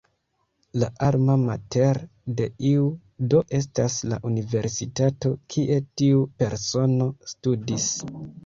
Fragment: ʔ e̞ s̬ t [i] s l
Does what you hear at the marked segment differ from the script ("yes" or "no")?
yes